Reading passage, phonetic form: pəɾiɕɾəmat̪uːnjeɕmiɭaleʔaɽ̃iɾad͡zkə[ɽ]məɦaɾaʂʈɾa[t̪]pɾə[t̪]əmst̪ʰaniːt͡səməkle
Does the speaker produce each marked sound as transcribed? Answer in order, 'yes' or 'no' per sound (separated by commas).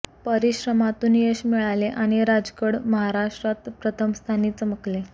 yes, yes, no